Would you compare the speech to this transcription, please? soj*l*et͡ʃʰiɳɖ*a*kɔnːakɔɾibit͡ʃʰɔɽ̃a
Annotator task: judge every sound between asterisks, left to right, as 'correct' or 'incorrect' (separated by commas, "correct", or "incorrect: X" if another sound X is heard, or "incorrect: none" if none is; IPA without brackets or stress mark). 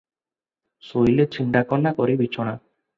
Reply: correct, correct